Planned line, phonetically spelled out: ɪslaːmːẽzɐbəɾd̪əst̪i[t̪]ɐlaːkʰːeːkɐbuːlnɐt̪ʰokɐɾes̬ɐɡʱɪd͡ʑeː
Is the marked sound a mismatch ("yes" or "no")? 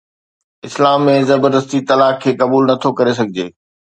no